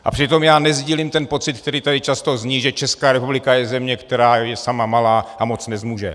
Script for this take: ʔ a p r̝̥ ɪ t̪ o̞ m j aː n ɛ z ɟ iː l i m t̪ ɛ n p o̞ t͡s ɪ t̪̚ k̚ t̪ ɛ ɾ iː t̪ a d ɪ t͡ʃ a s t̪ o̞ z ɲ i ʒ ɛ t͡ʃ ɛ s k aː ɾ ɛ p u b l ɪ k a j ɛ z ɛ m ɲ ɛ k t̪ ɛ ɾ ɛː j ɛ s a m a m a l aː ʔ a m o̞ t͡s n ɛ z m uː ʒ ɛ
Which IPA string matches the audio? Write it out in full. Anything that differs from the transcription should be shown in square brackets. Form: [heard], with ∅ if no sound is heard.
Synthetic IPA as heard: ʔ a p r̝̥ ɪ t̪ o̞ m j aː n ɛ z ɟ iː l i m t̪ ɛ n p o̞ t͡s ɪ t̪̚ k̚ t̪ ɛ ɾ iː t̪ a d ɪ t͡ʃ a s t̪ o̞ z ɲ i ʒ ɛ t͡ʃ ɛ s k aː ɾ ɛ p u b l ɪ k a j ɛ z ɛ m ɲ ɛ k t̪ ɛ ɾ [aː] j ɛ s a m a m a l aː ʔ a m o̞ t͡s n ɛ z m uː ʒ ɛ